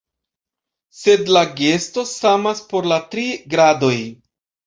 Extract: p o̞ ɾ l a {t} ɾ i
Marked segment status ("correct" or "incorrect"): correct